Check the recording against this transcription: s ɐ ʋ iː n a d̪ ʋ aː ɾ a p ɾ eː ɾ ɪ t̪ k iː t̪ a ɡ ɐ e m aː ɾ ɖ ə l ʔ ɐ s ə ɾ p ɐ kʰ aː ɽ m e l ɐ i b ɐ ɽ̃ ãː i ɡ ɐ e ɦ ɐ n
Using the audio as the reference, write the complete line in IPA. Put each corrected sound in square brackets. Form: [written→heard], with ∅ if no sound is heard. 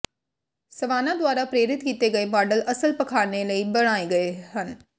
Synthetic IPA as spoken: s ɐ ʋ [iː→aː] n a d̪ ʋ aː ɾ a p ɾ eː ɾ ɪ t̪ k iː t̪ [a→e] ɡ ɐ e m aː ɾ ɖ ə l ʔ ɐ s ə [ɾ→l] p ɐ kʰ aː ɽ [m→n] e l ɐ i b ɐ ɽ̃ [ãː→aː] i ɡ ɐ e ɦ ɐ n